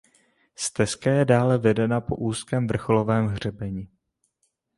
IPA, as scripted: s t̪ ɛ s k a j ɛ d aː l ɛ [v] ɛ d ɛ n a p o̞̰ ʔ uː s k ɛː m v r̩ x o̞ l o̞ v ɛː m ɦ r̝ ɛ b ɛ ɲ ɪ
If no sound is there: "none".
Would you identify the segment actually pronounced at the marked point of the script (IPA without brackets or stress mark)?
v